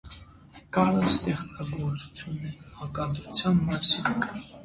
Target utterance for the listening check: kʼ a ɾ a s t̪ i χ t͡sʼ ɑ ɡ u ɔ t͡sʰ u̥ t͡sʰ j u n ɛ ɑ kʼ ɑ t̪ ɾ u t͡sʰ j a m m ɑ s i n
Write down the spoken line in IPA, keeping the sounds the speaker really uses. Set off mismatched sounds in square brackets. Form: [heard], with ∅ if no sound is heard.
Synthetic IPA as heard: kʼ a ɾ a s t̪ [ɛ] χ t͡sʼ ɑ ɡ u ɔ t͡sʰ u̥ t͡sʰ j u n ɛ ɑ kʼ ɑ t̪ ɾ u t͡sʰ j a [n] m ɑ s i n